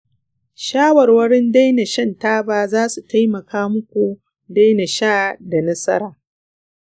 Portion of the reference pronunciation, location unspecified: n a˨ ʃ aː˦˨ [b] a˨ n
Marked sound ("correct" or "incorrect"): incorrect